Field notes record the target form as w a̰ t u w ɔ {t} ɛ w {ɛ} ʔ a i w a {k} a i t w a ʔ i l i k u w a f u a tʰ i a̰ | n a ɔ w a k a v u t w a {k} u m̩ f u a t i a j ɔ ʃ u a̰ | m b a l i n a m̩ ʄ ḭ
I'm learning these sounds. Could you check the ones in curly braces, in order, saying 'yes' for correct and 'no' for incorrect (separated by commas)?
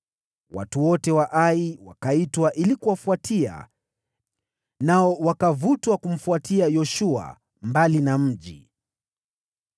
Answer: yes, no, yes, yes